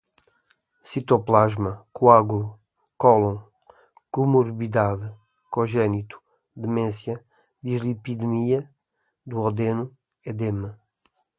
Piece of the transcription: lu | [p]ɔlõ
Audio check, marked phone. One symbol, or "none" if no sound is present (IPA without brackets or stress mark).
k